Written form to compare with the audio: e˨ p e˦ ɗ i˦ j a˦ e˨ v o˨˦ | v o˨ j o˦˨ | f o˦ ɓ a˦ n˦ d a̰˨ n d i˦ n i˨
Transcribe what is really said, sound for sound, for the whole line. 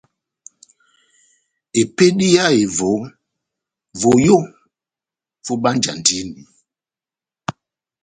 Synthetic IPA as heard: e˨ p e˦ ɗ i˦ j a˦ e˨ v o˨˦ | v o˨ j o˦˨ | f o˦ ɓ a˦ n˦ d͡ʒ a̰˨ n d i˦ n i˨